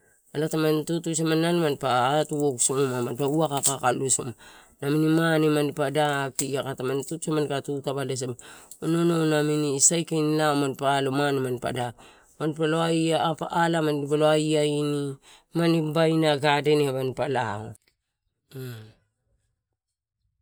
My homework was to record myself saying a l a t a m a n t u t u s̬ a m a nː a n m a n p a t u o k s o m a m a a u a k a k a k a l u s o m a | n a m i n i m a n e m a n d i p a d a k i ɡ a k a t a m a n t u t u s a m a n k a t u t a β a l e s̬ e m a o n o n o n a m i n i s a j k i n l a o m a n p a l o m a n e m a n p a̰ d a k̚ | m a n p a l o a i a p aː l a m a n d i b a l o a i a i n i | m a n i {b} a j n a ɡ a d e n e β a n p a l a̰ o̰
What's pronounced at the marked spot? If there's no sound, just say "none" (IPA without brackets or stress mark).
b